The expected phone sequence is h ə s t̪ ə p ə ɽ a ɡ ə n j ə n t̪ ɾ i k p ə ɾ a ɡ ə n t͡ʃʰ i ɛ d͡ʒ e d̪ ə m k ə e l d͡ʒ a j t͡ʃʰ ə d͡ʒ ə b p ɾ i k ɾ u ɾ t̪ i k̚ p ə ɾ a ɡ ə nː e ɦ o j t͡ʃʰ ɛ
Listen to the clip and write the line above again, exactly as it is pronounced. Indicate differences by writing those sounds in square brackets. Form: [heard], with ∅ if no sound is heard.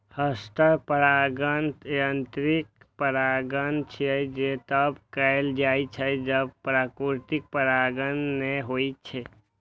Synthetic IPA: h ə s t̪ ə p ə [ɾ] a ɡ ə n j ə n t̪ ɾ i k p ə ɾ a ɡ ə n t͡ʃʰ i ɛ d͡ʒ e [t̪] ə [b] k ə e l d͡ʒ a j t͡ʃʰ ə d͡ʒ ə b p ɾ [a] k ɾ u ɾ t̪ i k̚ p ə ɾ a ɡ ə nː e ɦ o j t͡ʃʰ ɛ